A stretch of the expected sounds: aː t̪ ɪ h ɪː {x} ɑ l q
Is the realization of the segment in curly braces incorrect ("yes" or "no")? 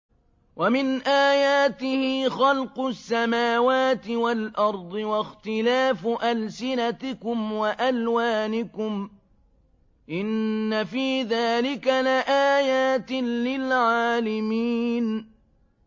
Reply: no